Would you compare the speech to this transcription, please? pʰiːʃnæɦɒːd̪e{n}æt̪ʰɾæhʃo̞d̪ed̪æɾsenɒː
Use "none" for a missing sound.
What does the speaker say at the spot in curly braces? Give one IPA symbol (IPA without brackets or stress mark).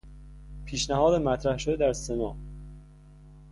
m